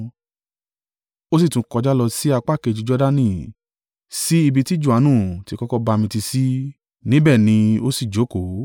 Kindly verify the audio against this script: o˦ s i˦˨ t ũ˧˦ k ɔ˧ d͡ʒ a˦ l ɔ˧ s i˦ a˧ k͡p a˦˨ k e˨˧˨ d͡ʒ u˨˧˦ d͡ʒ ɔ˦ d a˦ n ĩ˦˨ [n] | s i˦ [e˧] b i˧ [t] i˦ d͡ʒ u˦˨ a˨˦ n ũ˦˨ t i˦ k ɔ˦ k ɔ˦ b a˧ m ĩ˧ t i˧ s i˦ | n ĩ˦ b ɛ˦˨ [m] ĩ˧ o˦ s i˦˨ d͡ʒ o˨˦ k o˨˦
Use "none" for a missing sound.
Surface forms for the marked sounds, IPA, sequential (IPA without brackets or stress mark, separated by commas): none, i˧, t, n